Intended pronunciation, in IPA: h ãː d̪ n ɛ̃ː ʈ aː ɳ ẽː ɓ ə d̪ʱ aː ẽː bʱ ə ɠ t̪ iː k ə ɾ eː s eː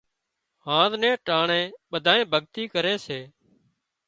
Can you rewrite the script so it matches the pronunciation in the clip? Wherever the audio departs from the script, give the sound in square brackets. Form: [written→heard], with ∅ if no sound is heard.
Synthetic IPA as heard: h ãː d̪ n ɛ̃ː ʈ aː ɳ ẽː ɓ ə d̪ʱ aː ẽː bʱ ə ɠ t̪ iː k ə ɾ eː s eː